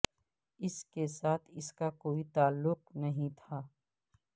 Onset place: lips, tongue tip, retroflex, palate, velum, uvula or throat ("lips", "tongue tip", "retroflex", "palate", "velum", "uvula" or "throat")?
tongue tip